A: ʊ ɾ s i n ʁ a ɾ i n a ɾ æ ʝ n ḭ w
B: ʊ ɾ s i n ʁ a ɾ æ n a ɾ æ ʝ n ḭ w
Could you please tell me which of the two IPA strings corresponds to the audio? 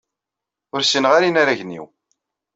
A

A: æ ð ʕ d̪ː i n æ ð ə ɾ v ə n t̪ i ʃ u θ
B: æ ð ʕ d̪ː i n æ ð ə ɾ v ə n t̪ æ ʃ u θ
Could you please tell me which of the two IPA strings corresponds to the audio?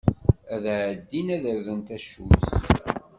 B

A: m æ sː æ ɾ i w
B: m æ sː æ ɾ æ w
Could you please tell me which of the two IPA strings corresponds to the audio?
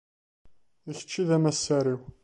A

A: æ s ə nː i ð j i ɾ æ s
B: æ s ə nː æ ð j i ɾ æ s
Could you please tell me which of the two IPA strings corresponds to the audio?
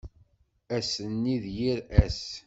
A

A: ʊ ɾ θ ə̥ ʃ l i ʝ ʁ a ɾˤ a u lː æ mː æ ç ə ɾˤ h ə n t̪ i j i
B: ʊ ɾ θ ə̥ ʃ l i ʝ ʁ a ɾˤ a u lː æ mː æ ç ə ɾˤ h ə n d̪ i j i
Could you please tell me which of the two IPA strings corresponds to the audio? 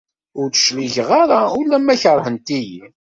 A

